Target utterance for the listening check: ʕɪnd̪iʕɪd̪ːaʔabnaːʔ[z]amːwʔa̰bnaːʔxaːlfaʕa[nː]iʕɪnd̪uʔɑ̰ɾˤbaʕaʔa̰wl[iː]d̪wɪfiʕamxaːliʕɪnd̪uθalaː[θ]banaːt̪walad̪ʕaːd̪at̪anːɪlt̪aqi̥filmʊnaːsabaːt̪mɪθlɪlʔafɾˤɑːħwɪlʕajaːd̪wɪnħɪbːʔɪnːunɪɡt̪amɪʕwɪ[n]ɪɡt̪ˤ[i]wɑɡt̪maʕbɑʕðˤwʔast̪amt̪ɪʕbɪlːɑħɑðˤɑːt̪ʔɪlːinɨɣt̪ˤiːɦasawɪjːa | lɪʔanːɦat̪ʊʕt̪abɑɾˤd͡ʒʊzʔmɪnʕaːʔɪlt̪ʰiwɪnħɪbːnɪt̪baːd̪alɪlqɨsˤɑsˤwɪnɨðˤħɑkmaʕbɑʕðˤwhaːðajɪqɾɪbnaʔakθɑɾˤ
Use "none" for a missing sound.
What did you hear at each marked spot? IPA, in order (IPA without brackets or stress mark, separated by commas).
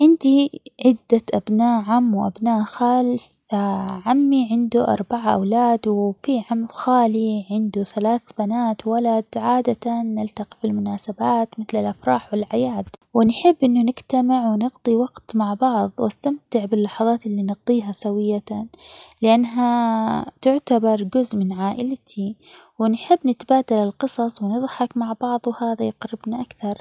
ʕ, mː, aː, θ, n, i